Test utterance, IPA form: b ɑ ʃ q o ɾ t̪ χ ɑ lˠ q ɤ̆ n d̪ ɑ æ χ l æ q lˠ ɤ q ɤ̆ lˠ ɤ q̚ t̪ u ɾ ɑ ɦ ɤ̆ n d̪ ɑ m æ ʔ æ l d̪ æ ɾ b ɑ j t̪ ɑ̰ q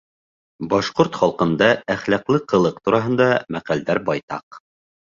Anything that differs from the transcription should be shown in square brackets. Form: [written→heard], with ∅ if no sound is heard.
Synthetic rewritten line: b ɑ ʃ q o ɾ t̪ χ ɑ lˠ q ɤ̆ n d̪ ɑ æ χ l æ q lˠ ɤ q ɤ̆ lˠ ɤ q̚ t̪ u ɾ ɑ ɦ ɤ̆ n d̪ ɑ m æ [ʔ→q] æ l d̪ æ ɾ b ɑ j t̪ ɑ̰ q